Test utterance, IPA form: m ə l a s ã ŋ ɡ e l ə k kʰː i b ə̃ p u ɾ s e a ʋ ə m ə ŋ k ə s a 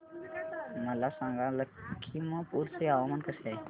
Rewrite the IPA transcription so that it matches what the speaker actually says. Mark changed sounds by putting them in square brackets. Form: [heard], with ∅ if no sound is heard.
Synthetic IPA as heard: m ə l a s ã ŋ ɡ [a] l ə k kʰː i [m] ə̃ p u ɾ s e a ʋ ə m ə [n] k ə s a